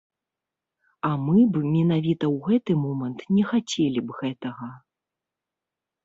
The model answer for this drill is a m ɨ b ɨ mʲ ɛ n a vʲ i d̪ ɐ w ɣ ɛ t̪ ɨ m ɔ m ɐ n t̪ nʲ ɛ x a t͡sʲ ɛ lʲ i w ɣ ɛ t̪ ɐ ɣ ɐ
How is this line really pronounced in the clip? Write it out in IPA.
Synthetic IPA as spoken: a m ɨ b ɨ mʲ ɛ n a vʲ i t̪ ɐ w ɣ ɛ t̪ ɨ m ɔ m ɐ n t̪ nʲ ɛ x a t͡sʲ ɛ lʲ i b ɣ ɛ t̪ ɐ ɣ ɐ

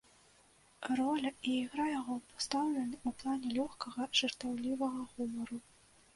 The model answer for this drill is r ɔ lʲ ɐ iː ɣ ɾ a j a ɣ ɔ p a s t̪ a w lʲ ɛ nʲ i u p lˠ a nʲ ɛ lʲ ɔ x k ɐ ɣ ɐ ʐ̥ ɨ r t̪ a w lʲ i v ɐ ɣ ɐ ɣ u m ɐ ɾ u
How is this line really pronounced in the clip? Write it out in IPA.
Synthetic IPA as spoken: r ɔ lʲ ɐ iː ɣ ɾ a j a ɣ ɔ p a s t̪ a w lʲ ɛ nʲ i u p lˠ a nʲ ɛ lʲ ɔ x k ɐ ɣ ɐ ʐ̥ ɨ r t̪ a w lʲ i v ɐ ɣ ɐ ɣ u m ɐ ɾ u

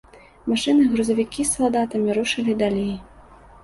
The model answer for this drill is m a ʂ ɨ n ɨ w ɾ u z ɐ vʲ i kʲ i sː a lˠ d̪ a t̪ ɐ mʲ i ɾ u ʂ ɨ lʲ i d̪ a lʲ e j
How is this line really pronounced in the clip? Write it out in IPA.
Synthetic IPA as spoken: m a ʂ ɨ n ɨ ɣ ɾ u z ɐ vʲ i kʲ i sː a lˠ d̪ a t̪ ɐ mʲ i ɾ u ʂ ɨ lʲ i d̪ a lʲ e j

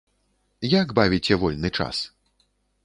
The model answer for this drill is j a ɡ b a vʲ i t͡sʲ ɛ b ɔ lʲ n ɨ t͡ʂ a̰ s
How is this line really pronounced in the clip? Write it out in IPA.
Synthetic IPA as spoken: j a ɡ b a vʲ i t͡sʲ ɛ v ɔ lʲ n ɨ t͡ʂ a̰ s

